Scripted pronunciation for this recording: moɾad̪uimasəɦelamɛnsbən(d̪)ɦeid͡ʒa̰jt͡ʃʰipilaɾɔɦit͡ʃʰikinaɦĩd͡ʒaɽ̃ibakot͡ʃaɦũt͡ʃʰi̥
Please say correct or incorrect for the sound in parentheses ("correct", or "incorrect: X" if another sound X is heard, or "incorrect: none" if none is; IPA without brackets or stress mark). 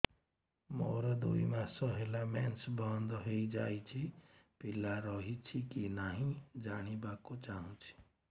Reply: correct